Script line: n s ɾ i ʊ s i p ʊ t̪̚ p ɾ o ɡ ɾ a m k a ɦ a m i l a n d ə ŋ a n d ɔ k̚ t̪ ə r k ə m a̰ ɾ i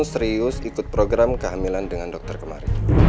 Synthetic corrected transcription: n s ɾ i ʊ s i k ʊ t̪̚ p ɾ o ɡ ɾ a m k ə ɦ a m i l a n d ə ŋ a n d ɔ k̚ t̪ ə r k ə m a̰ ɾ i